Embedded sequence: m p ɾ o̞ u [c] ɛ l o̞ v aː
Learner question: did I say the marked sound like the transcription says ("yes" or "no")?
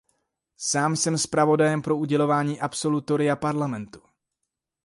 no